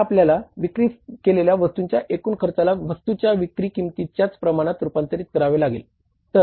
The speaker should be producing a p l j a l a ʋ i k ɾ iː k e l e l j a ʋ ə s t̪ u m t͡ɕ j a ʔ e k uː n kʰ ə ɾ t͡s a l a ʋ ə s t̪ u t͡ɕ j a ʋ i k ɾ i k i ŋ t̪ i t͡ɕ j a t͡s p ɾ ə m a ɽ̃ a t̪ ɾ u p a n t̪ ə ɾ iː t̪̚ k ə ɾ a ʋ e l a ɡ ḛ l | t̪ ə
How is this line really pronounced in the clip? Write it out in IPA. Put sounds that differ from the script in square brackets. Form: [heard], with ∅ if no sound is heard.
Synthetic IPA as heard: a p l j a l a ʋ i k ɾ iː k e l e l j a ʋ ə s t̪ u [ɲ] t͡ɕ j a ʔ e k uː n kʰ ə ɾ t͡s a l a ʋ ə s t̪ u t͡ɕ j a ʋ i k ɾ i k i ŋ t̪ i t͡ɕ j a t͡s p ɾ ə m a ɽ̃ a t̪ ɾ u p a n t̪ ə ɾ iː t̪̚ k ə ɾ a ʋ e l a ɡ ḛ l | t̪ ə